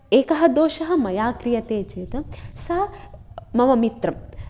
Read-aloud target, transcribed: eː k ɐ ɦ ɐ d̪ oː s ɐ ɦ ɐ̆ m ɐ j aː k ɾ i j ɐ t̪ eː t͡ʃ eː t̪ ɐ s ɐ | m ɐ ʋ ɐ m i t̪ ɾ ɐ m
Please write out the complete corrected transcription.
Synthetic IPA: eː k ɐ ɦ ɐ d̪ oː ʃ ɐ ɦ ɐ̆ m ɐ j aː k ɾ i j ɐ t̪ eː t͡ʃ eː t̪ ɐ s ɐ | m ɐ ʋ ɐ m i t̪ ɾ ɐ m